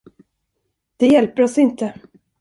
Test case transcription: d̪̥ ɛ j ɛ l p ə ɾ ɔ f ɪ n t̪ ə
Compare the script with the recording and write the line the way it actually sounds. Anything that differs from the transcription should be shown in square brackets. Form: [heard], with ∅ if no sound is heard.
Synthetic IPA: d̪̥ ɛ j ɛ l p ə ɾ ɔ [s] ɪ n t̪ ə